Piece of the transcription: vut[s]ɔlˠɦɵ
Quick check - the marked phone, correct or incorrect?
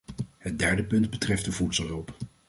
correct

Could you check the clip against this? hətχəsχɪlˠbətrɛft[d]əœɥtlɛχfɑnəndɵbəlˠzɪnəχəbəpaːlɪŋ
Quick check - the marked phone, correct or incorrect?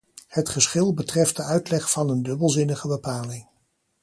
correct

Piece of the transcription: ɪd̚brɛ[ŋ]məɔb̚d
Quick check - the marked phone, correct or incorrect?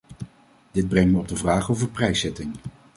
correct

